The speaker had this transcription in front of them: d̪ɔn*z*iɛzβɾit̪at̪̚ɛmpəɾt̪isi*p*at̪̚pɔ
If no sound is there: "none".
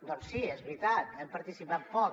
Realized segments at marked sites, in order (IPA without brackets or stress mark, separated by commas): s, p